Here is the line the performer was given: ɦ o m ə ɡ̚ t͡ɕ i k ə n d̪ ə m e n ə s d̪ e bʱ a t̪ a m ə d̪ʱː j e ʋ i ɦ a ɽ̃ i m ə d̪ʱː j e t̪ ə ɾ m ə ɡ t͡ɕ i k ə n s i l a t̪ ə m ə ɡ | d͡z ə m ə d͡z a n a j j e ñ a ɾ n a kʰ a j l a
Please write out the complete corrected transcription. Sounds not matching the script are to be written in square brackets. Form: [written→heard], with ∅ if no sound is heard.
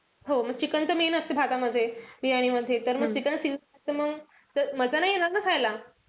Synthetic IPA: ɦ o m ə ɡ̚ t͡ɕ i k ə n [d̪→t̪] ə m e n ə s [d̪→t̪] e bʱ a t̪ a m ə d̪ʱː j e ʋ i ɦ a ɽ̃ i m ə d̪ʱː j e t̪ ə ɾ m ə ɡ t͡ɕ i k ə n s i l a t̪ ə m ə ɡ | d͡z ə m ə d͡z a n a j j e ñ a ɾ n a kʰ a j l a